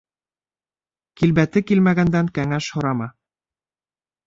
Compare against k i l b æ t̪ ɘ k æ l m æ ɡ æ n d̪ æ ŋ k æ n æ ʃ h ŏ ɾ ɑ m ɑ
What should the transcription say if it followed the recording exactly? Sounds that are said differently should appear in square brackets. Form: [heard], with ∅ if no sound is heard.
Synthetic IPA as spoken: k i l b æ t̪ ɘ k [i] l m æ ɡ æ n d̪ æ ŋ k æ [ŋ] æ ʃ h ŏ ɾ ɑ m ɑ